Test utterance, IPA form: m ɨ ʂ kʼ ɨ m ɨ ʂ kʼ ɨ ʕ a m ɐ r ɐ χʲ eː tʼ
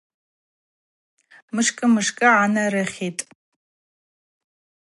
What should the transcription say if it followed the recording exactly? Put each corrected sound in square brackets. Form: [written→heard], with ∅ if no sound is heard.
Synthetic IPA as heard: m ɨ ʂ kʼ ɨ m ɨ ʂ kʼ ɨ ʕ a [m→n] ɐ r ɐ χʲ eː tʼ